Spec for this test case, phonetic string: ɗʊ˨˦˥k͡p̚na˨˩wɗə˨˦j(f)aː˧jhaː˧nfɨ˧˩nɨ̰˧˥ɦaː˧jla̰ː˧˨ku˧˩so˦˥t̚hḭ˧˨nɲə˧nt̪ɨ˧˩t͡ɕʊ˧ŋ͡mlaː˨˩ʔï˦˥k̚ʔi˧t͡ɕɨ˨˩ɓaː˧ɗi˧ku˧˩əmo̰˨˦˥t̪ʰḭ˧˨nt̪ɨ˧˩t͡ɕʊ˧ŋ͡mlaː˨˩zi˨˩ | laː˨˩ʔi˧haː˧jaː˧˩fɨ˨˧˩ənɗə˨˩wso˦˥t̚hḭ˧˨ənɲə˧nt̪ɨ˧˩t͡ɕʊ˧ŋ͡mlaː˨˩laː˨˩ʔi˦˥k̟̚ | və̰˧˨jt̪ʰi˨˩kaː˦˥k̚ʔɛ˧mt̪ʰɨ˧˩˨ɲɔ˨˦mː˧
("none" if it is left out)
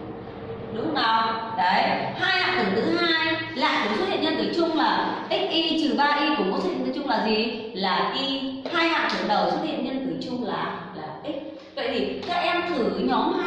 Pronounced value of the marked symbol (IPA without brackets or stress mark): h